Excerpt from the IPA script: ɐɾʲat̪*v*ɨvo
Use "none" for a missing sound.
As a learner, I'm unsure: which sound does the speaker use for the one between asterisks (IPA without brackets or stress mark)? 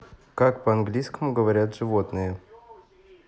ʐ